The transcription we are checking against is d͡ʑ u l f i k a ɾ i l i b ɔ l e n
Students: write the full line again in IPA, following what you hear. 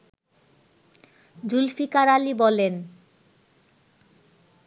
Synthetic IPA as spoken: d͡ʑ u l f i k a ɾ a l i b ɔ l e n